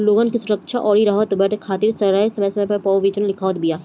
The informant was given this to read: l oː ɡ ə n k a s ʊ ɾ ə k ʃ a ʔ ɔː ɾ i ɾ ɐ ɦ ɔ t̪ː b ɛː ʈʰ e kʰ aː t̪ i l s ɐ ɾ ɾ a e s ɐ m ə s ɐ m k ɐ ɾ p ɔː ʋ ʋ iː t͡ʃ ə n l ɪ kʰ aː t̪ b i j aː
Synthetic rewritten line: l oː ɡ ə n k i s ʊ ɾ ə k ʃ a ʔ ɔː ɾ i ɾ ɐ ɦ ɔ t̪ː b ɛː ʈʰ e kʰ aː t̪ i ɾ s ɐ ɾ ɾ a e s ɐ m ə s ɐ m p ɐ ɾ p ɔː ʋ ʋ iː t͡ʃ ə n l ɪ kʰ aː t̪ b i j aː